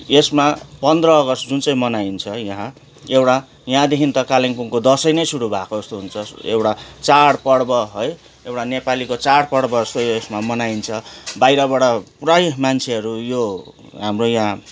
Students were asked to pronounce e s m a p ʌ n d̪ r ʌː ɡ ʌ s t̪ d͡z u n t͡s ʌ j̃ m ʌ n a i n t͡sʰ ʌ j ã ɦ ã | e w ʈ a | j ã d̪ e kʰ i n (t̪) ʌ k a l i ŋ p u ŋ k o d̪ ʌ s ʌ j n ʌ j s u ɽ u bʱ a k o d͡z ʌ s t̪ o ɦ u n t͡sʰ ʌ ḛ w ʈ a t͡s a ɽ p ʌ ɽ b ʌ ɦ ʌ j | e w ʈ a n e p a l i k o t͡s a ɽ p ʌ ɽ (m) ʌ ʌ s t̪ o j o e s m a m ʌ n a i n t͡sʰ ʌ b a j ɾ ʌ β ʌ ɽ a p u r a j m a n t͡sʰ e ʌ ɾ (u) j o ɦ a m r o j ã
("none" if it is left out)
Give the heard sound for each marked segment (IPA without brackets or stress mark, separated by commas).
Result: t̪, b, u